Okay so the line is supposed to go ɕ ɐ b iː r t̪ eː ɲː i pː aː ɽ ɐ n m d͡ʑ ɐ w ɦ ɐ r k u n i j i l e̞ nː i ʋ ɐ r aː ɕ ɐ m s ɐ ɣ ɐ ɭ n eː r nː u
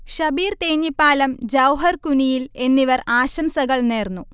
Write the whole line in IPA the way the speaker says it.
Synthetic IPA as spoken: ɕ ɐ b iː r t̪ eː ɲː i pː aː l ɐ m d͡ʑ ɐ w ɦ ɐ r k u n i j i l e̞ nː i ʋ ɐ r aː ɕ ɐ m s ɐ ɣ ɐ ɭ n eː r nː u